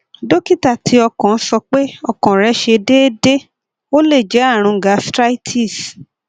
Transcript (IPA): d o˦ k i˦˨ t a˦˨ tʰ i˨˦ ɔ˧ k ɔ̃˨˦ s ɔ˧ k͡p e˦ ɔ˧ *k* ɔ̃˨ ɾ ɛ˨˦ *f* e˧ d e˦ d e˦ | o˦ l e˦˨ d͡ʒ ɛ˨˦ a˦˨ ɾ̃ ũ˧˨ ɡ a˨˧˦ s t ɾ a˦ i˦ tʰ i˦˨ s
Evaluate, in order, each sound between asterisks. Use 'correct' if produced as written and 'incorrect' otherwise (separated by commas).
correct, incorrect